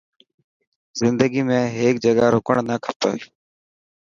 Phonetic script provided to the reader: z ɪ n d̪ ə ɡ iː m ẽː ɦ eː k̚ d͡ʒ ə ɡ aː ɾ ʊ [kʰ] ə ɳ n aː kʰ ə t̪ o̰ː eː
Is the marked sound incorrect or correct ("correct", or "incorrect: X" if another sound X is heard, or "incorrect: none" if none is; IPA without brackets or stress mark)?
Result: incorrect: k